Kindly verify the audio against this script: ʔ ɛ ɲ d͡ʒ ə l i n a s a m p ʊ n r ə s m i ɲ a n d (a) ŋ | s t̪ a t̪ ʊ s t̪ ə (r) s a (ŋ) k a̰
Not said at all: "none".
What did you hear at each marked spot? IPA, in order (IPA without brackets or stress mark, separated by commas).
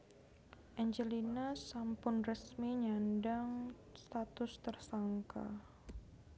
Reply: a, r, ŋ